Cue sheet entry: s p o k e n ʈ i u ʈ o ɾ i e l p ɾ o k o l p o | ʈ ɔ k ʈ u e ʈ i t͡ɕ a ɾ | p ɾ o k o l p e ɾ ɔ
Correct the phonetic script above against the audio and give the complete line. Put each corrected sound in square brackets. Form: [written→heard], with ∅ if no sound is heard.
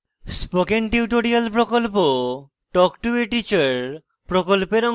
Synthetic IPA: s p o k e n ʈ i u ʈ o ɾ i [e→a] l p ɾ o k o l p o | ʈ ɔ k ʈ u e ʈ i t͡ɕ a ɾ | p ɾ o k o l p e ɾ ɔ